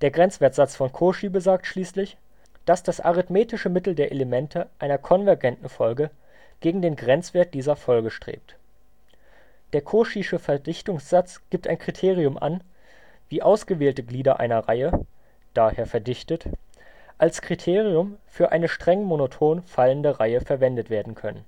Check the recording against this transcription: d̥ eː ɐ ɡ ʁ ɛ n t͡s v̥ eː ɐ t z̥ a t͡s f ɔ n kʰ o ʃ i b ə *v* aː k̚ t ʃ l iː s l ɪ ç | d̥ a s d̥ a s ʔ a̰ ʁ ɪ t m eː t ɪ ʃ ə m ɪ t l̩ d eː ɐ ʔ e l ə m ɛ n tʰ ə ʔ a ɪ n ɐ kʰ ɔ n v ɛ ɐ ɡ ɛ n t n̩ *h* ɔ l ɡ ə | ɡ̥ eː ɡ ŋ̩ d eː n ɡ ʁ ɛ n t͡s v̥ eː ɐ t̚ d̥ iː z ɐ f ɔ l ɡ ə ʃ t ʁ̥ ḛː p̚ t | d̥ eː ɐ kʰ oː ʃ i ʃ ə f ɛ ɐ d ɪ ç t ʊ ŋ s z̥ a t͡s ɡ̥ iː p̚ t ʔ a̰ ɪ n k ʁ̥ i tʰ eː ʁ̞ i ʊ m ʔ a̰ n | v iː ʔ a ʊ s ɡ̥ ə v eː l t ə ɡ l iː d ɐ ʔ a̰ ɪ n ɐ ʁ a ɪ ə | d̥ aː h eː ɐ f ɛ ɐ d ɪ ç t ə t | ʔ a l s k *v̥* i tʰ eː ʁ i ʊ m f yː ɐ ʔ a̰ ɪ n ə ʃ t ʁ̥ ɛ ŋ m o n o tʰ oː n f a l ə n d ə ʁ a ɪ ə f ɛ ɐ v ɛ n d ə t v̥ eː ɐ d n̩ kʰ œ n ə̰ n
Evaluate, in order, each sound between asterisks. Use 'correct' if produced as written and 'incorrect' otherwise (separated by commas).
incorrect, incorrect, incorrect